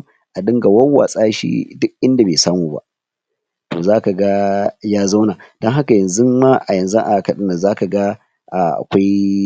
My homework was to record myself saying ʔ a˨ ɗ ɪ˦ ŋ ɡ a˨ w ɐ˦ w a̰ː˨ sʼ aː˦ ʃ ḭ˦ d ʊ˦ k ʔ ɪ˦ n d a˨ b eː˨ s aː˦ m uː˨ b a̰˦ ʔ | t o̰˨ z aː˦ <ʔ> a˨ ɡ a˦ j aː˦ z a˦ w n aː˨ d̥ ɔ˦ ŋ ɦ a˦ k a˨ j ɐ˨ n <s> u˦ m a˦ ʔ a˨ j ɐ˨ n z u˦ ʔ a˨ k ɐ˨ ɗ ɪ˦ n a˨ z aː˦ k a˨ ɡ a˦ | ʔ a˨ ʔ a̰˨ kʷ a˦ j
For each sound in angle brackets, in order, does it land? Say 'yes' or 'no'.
no, no

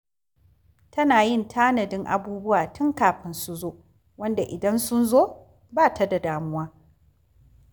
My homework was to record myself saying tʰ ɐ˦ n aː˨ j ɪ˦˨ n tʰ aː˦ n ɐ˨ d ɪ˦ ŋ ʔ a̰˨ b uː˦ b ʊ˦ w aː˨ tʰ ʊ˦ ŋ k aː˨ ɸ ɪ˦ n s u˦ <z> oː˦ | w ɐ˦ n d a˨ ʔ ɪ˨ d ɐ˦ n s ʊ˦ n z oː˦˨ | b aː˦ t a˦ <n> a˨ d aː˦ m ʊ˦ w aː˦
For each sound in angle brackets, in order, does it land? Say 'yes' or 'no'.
yes, no

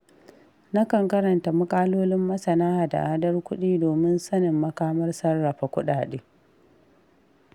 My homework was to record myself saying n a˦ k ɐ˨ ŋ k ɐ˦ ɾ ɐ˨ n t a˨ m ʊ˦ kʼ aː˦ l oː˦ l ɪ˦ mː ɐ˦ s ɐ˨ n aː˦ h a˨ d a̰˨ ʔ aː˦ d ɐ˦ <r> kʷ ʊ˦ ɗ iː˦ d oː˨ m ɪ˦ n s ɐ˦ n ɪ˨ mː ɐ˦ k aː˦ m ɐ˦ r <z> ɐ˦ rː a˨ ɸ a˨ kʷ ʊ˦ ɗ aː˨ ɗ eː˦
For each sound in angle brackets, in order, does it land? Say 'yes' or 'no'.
yes, no

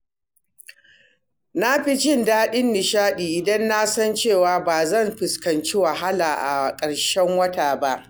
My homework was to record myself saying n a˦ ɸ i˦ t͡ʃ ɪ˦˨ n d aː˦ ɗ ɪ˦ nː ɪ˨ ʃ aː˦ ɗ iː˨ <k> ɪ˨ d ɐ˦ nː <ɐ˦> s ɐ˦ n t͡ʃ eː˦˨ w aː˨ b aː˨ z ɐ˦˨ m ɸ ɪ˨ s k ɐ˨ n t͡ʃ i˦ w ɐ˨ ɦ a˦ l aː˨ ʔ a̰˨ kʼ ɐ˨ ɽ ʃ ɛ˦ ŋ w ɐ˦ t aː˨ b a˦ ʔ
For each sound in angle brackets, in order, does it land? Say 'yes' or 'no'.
no, no

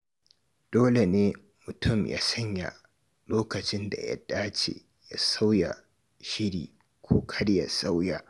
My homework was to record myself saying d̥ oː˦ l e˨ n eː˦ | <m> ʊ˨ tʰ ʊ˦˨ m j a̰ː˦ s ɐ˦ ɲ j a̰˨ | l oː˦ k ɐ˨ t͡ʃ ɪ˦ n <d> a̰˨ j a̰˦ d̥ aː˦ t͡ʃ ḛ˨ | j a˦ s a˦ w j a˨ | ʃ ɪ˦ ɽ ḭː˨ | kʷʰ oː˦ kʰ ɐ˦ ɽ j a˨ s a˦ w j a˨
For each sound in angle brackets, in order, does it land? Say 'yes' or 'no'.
yes, yes

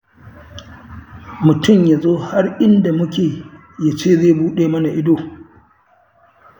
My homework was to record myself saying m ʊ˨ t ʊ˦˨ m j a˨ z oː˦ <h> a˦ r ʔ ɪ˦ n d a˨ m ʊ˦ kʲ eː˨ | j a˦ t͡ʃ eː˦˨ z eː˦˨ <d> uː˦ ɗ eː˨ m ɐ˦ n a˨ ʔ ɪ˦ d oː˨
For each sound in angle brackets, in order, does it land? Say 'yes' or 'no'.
yes, no

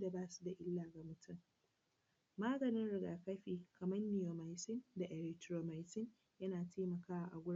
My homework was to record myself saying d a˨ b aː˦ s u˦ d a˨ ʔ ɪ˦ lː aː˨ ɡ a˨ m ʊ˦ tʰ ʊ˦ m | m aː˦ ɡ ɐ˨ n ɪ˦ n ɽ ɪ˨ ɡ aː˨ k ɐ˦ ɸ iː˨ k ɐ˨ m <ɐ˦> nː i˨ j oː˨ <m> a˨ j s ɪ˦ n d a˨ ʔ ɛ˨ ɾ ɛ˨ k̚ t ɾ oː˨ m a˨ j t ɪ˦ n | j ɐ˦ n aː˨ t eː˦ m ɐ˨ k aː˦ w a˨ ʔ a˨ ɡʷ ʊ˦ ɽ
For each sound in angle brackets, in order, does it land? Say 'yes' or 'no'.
yes, yes

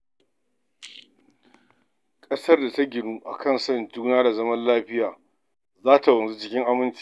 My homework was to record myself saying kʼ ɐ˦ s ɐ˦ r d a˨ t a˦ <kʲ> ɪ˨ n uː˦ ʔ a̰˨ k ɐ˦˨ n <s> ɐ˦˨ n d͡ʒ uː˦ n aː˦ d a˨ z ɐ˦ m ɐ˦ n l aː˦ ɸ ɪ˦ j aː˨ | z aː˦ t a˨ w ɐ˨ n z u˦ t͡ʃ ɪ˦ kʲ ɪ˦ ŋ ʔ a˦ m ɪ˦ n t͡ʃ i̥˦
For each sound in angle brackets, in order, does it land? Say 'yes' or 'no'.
no, yes

